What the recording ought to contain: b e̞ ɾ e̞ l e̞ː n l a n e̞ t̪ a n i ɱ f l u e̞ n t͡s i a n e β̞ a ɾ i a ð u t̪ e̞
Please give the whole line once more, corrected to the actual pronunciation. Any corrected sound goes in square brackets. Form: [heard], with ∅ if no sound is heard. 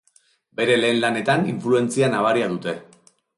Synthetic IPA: b e̞ ɾ e̞ l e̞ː n l a n e̞ t̪ a n i ɱ f l u e̞ n t͡s i a n [a] β̞ a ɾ i a ð u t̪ e̞